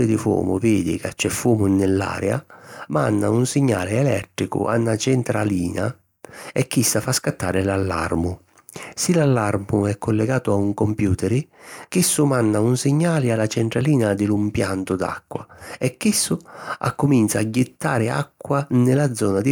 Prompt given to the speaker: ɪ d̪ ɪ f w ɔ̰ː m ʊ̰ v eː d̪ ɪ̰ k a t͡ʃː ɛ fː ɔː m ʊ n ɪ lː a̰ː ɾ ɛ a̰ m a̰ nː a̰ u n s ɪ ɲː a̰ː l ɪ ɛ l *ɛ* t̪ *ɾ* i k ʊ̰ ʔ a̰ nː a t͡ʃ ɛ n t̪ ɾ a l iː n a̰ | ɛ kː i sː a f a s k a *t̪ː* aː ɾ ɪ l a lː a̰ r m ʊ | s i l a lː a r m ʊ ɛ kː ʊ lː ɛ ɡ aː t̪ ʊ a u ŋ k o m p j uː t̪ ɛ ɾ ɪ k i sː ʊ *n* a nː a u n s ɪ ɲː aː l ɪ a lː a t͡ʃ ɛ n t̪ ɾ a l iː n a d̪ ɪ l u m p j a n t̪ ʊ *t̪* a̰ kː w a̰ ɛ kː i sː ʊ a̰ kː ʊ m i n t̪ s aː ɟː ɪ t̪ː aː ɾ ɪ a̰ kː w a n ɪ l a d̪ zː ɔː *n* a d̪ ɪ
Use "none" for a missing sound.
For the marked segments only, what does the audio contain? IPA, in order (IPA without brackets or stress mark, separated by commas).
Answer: ɛ, ɾ, t̪ː, m, d̪, n